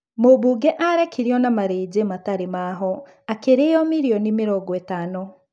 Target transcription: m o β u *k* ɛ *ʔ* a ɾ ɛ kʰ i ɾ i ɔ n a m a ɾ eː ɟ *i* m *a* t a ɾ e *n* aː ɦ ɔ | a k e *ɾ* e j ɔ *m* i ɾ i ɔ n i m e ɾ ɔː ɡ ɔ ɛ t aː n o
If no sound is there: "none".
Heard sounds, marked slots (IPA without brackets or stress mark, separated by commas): ɡ, ʔ, e, a, m, ɾ, m